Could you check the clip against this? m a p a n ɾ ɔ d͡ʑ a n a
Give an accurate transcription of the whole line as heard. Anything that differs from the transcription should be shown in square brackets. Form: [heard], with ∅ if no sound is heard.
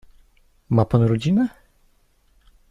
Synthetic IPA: m a p a n ɾ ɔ d͡ʑ [i] n [ɛ]